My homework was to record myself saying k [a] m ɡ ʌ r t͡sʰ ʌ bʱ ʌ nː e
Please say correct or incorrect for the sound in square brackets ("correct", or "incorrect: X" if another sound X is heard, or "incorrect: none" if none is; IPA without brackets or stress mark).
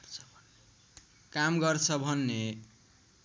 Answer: correct